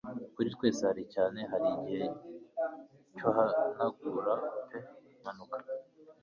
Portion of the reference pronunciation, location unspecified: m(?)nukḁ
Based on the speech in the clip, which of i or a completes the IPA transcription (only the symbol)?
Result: a